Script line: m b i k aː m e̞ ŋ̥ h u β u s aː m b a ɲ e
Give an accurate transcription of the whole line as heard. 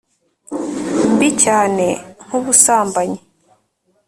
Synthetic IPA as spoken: m b i c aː n e̞ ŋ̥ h u β u s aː m b a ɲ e